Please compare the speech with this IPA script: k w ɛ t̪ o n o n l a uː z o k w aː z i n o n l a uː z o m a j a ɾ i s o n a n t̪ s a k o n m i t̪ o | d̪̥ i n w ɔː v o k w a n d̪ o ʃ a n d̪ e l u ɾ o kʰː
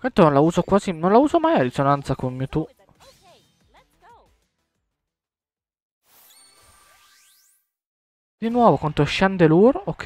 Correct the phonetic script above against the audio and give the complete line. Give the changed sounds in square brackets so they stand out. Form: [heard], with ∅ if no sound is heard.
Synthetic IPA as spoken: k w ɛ t̪ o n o n l a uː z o k w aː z i n o n l a uː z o m a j a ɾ i s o n a n t̪ s a k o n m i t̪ [u] | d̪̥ i n w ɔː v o k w a n [t̪] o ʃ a n d̪ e l u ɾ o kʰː